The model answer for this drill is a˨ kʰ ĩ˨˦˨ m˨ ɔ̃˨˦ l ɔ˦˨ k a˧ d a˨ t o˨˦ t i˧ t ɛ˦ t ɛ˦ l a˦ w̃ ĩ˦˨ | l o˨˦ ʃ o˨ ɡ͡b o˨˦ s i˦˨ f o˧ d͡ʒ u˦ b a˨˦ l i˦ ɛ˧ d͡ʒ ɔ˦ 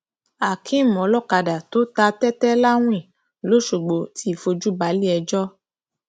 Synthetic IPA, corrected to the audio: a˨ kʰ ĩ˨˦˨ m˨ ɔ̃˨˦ l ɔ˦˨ k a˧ d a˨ t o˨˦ t a˧ t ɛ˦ t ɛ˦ l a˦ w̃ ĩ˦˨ | l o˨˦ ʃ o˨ ɡ͡b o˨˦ t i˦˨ f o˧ d͡ʒ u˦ b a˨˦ l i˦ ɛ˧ d͡ʒ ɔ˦